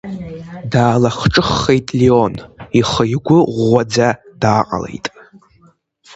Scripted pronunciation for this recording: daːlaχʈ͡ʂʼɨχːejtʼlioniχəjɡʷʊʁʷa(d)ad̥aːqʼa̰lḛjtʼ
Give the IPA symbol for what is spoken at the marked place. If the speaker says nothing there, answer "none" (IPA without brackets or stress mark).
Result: d͡z